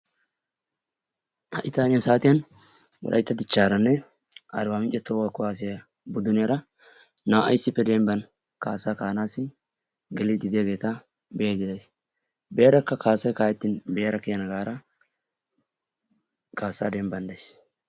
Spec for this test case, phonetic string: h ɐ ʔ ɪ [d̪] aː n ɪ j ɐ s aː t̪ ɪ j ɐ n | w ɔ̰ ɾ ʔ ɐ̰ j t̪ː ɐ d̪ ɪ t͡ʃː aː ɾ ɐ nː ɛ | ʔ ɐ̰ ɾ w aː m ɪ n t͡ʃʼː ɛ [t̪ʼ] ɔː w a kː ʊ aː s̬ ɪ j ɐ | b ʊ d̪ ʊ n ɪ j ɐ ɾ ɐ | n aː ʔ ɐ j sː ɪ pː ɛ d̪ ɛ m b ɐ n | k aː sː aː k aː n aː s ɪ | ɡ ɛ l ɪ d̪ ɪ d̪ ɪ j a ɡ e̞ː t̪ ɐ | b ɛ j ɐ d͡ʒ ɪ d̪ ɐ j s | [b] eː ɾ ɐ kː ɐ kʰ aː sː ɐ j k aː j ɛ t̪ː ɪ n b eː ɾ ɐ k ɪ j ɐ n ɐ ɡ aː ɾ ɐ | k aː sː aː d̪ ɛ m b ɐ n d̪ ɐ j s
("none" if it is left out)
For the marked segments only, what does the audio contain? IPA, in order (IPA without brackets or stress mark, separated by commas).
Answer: t̪, t̪, b